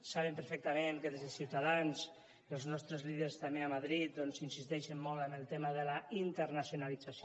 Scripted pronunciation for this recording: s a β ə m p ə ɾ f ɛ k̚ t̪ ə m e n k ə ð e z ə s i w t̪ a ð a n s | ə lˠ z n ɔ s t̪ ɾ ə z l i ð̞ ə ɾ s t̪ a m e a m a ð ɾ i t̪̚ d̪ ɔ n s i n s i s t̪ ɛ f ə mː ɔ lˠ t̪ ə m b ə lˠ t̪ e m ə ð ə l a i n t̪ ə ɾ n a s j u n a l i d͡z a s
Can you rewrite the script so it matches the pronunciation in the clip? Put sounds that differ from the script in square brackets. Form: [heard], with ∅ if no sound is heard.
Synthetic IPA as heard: s a β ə m p ə ɾ f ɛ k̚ t̪ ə m e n k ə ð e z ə s i w t̪ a ð a n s | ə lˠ z n ɔ s t̪ ɾ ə z l i ð̞ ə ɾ s t̪ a m e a m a ð ɾ i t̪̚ d̪ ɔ n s i n s i s t̪ ɛ [ʃ] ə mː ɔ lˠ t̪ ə m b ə lˠ t̪ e m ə ð ə l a i n t̪ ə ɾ n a s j u n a l i d͡z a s